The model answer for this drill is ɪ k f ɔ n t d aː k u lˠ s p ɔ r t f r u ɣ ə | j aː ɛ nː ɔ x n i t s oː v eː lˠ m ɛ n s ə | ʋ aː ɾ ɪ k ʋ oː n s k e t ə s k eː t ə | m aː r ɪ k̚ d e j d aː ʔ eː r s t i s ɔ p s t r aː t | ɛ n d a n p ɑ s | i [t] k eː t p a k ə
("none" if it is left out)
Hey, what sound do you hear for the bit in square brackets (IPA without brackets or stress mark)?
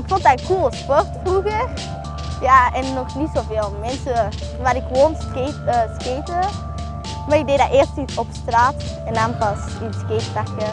s